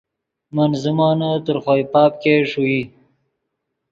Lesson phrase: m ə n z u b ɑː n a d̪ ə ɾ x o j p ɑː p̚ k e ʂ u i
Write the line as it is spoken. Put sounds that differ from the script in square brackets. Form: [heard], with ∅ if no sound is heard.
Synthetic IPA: m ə n z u [m] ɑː n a [t̪] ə ɾ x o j p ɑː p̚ k e ʂ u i